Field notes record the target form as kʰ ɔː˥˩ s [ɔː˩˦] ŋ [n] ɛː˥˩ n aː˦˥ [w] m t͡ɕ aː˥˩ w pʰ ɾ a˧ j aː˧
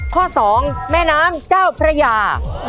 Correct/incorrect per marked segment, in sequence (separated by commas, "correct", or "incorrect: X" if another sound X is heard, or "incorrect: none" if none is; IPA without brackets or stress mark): correct, incorrect: m, incorrect: none